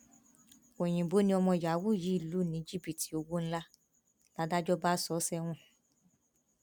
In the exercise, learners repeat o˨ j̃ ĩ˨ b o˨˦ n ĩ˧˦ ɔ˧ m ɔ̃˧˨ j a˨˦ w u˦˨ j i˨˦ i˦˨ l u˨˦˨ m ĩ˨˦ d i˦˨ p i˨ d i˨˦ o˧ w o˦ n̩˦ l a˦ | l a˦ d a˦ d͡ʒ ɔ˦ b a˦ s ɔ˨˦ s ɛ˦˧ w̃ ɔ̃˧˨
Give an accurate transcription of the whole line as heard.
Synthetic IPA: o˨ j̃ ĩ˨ b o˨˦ n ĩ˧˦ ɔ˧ m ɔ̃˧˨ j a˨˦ w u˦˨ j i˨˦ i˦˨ l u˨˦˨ n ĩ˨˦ d͡ʒ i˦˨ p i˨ t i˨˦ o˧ w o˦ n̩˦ l a˦ | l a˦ d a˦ d͡ʒ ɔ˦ b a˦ s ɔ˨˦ s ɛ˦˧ w̃ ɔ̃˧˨